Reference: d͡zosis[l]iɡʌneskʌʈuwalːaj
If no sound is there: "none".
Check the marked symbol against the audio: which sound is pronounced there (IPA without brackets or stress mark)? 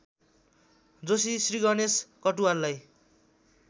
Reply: r